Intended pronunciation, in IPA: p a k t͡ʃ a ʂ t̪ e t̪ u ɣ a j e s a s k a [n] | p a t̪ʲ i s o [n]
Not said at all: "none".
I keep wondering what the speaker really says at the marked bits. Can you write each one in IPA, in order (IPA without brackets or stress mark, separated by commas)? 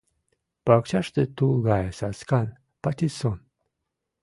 n, n